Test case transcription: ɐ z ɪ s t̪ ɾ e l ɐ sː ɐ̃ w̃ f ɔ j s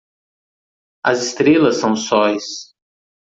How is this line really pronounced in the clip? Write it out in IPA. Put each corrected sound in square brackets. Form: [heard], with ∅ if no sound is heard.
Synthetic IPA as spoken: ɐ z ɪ s t̪ ɾ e l ɐ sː ɐ̃ w̃ [s] ɔ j s